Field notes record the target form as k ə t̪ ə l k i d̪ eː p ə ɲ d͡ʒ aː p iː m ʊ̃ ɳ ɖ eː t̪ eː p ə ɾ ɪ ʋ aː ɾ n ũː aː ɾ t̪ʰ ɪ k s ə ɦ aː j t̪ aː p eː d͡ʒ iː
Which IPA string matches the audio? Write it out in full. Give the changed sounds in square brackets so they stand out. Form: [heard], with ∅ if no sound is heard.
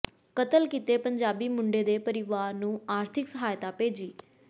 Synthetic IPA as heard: k ə t̪ ə l k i [t̪] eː p ə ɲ d͡ʒ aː [b] iː m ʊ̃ ɳ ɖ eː [d̪] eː p ə ɾ ɪ ʋ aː ɾ n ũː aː ɾ t̪ʰ ɪ k s ə ɦ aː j t̪ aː p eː d͡ʒ iː